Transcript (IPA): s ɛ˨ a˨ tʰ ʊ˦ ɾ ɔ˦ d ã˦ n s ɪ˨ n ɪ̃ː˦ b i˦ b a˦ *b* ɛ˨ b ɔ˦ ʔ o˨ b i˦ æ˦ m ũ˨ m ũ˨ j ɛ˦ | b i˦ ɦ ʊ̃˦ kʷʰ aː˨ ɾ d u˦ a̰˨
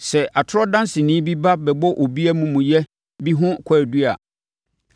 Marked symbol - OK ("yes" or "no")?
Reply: yes